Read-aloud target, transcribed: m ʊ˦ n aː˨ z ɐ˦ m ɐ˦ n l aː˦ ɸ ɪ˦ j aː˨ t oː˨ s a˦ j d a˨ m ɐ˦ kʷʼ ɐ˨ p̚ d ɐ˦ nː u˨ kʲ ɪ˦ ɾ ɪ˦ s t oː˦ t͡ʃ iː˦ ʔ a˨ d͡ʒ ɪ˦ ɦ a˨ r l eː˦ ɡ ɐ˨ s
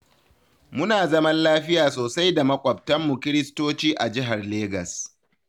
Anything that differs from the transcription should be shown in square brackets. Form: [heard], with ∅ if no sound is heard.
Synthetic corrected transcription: m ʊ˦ n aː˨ z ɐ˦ m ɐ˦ n l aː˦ ɸ ɪ˦ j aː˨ [s] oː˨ s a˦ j d a˨ m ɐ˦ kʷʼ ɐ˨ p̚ [t] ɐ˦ [mː] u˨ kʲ ɪ˦ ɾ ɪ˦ s t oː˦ t͡ʃ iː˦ ʔ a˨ d͡ʒ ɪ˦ ɦ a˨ r l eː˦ ɡ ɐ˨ s